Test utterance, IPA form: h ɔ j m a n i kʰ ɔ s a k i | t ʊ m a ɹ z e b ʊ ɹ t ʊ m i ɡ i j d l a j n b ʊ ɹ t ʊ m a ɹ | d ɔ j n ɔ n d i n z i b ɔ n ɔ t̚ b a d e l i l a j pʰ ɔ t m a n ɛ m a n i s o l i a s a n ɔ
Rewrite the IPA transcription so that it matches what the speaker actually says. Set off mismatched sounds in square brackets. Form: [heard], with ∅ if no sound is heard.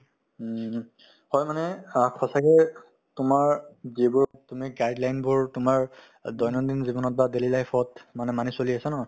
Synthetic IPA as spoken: h ɔ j m a n [ɛ] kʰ ɔ s a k [ɛ] | t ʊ m a ɹ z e b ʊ ɹ t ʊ m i ɡ [a] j d l a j n b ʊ ɹ t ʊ m a ɹ | d ɔ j n ɔ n d i n z i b ɔ n ɔ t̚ b a d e l i l a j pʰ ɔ t m a n ɛ m a n i s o l i a s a n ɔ